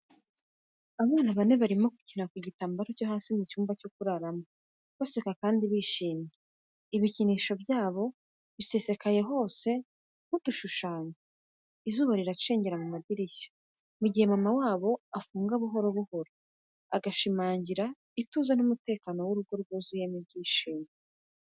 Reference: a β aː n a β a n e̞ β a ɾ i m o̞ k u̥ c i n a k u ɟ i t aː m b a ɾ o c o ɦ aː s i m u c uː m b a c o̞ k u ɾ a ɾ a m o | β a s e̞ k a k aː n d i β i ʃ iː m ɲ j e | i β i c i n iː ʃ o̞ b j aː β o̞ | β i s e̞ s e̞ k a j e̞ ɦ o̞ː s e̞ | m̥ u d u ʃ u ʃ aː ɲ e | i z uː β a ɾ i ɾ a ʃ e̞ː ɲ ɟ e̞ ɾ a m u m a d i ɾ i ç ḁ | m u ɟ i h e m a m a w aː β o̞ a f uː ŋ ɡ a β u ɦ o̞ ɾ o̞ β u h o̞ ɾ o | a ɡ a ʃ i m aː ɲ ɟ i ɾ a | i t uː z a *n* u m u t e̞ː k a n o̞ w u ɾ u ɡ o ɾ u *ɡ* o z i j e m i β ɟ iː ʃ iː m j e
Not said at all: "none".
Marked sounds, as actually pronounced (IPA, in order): n, ɡ

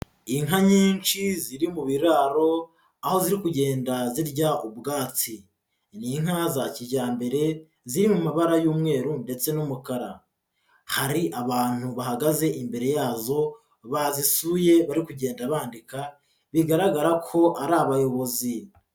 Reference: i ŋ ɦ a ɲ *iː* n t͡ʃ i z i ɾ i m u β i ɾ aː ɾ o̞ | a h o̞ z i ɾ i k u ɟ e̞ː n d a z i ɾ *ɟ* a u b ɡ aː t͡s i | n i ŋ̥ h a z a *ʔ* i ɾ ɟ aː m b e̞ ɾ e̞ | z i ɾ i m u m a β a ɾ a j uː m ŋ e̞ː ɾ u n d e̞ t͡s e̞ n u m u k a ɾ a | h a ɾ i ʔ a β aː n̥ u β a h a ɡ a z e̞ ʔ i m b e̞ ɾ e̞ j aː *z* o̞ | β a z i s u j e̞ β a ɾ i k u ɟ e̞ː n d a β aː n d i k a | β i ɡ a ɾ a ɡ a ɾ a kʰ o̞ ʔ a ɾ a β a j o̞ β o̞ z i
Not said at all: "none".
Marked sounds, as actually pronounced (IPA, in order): iː, ɟ, c, z

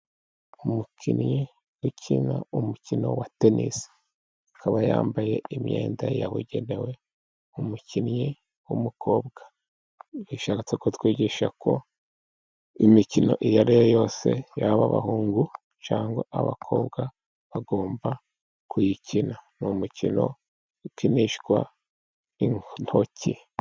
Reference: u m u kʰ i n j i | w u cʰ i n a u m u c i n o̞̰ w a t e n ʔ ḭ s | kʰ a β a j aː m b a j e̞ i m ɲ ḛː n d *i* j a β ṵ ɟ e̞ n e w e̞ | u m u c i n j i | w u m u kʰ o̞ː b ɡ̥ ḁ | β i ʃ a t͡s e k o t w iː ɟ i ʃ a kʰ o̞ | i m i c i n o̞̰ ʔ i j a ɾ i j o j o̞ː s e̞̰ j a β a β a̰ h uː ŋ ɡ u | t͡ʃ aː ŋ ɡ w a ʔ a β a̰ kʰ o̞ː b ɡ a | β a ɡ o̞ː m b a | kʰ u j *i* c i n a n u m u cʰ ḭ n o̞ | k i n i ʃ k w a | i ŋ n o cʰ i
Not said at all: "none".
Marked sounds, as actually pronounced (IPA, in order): a, i

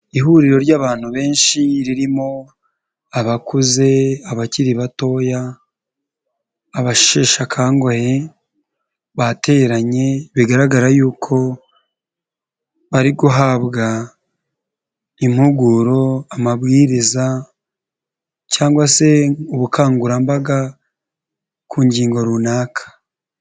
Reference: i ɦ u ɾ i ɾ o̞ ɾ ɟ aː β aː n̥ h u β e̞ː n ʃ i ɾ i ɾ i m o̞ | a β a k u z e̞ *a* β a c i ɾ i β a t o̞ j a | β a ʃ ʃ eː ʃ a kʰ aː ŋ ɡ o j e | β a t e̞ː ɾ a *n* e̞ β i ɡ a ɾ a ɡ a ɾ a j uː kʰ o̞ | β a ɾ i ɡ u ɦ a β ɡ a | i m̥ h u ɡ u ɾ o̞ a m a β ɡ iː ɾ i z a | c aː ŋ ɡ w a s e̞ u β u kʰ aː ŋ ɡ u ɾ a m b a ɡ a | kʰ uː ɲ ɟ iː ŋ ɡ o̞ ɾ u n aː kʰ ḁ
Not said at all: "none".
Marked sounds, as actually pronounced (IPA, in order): a, ɲ

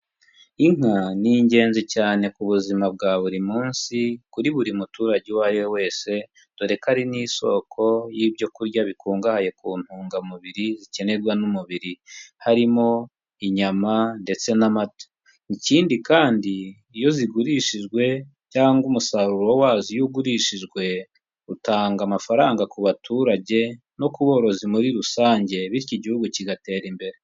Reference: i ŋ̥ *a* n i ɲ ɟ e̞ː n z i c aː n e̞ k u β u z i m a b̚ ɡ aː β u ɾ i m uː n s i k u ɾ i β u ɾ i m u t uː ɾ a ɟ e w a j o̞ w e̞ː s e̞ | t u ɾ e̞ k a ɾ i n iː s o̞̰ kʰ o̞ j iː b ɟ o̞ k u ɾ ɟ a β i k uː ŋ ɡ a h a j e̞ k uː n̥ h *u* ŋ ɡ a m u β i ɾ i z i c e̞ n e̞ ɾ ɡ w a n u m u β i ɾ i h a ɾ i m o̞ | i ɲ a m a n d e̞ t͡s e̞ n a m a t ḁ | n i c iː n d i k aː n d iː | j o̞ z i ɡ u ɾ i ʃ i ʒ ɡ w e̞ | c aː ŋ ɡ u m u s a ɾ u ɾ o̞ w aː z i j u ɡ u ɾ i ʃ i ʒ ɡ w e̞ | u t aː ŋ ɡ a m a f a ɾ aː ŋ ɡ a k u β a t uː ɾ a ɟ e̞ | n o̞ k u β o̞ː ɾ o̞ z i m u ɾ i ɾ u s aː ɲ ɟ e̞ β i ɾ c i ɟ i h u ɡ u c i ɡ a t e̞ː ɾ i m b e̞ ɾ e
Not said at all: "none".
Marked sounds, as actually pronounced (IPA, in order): a, uː

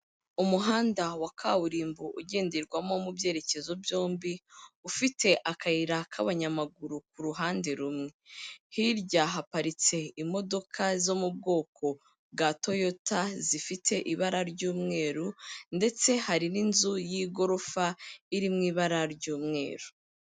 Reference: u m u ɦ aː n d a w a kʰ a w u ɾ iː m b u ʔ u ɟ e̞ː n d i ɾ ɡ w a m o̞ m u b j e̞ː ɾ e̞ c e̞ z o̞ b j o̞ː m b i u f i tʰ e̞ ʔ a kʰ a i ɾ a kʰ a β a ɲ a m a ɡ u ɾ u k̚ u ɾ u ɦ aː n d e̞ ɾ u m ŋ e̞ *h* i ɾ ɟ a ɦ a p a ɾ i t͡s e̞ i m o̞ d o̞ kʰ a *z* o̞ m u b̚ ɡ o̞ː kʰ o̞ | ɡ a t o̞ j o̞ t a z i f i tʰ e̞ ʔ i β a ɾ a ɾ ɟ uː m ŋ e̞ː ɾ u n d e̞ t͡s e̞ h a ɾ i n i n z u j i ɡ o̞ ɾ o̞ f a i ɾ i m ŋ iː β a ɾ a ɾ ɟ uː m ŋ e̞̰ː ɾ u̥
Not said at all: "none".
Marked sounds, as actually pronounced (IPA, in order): h, z

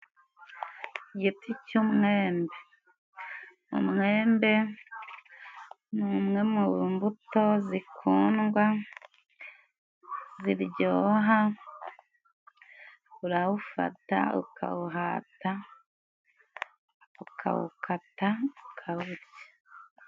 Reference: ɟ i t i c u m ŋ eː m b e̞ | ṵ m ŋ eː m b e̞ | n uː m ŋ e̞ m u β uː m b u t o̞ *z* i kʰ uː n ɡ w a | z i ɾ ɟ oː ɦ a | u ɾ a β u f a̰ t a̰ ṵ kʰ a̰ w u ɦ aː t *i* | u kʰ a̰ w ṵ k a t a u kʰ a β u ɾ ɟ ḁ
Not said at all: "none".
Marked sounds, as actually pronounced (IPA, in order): z, a

